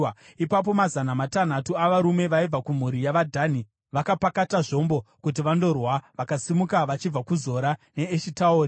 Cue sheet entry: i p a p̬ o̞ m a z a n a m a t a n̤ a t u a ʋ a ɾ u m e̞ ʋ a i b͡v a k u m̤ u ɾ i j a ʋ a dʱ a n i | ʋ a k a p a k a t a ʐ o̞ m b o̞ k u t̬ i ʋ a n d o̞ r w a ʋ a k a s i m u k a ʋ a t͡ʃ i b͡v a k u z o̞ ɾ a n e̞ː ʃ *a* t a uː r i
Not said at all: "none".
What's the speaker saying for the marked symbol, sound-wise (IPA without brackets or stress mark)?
i